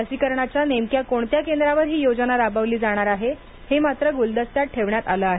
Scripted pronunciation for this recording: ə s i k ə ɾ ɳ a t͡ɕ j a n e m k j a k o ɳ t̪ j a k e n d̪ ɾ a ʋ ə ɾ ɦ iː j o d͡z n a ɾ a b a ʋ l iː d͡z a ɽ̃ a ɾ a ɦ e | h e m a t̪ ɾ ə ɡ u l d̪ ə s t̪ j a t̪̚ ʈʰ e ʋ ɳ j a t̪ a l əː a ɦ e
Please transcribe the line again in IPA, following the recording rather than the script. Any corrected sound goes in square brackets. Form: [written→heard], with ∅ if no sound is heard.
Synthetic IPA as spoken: ə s i k ə ɾ ɳ a t͡ɕ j a n e m k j a k o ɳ t̪ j a k e n d̪ ɾ a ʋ ə ɾ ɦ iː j o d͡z n a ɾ a b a ʋ l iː d͡z a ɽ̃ a ɾ a ɦ e | h e m a t̪ ɾ ə ɡ u l d̪ ə s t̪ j a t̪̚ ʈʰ e ʋ ɳ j a t̪ a l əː a ɦ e